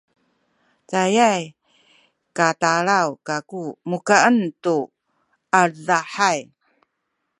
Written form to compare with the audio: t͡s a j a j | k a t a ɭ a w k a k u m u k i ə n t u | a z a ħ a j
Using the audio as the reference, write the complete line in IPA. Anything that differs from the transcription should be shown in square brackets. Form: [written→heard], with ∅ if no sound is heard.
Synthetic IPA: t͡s a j a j | k a t a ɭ a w k a k u m u k [i→a] ə n t u | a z a ħ a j